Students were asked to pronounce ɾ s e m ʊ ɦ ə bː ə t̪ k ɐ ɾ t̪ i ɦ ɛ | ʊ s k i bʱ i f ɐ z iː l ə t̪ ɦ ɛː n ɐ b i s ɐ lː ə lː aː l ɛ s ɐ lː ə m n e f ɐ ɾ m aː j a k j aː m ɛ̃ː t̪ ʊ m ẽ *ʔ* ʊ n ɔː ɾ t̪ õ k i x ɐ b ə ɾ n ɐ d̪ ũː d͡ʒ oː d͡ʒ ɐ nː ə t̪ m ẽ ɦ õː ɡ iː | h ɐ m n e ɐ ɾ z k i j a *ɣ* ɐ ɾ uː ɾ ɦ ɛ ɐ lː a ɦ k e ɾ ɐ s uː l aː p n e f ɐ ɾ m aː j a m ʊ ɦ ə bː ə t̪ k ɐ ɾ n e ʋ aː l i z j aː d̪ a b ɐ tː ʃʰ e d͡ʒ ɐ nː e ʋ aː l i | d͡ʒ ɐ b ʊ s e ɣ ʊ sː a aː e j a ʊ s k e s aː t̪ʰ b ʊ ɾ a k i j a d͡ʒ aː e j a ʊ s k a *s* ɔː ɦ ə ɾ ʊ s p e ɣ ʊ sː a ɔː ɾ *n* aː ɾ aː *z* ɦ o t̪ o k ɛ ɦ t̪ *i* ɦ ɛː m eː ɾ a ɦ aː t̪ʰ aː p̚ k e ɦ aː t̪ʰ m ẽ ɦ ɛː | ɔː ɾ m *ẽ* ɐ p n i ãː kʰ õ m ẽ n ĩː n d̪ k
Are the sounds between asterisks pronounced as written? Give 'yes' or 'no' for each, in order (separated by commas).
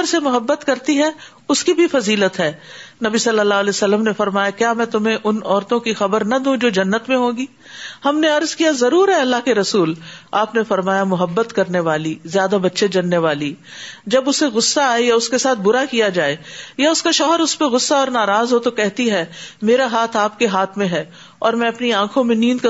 yes, no, no, yes, yes, yes, no